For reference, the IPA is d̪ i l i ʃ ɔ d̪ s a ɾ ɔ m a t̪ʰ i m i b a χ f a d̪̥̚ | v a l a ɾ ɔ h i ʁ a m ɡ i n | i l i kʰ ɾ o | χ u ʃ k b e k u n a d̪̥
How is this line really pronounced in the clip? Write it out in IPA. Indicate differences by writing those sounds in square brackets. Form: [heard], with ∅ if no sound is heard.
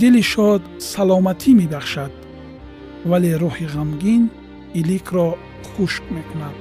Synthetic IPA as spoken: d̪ i l i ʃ ɔ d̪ s a [l] ɔ m a t̪ʰ i m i b a χ [ʃ] a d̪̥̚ | v a l [e] ɾ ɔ h i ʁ a m ɡ i n | i l i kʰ ɾ [ɔ] | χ u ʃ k [m] e k u n a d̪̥